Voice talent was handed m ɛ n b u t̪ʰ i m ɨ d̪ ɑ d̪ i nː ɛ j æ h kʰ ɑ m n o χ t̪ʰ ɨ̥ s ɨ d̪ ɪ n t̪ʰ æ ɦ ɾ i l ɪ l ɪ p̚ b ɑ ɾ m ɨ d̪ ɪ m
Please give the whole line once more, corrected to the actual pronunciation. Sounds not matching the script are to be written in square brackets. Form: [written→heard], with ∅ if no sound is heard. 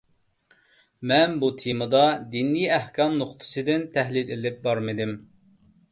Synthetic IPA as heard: m ɛ n b u t̪ʰ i m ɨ d̪ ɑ d̪ i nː [ɛ→i] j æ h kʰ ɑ m n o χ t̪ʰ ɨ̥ s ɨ d̪ ɪ n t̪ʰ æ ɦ [ɾ→l] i l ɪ l ɪ p̚ b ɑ ɾ m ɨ d̪ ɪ m